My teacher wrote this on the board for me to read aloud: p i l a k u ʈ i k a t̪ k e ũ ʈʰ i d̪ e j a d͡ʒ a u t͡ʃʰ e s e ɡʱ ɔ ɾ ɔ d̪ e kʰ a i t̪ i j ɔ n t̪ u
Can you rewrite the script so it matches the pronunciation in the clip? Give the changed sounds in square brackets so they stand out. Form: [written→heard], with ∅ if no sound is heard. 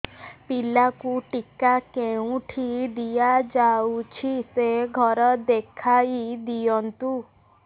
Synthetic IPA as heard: p i l a k u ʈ i k a [t̪→∅] k e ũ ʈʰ i d̪ [e→i] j a d͡ʒ a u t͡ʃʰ [e→i] s e ɡʱ ɔ ɾ ɔ d̪ e kʰ a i [t̪→d̪] i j ɔ n t̪ u